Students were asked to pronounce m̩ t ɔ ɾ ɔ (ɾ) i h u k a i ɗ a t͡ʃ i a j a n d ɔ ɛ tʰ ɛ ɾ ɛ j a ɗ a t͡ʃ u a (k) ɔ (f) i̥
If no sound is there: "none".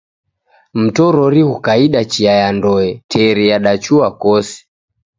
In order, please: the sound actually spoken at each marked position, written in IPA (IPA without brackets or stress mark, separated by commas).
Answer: ɾ, k, s